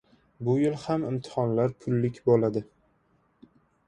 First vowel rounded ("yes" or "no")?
yes